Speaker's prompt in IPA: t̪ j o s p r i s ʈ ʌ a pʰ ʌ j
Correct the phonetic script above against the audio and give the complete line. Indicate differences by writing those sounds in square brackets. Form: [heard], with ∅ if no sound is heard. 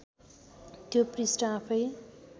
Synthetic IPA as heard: t̪ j o [∅] p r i s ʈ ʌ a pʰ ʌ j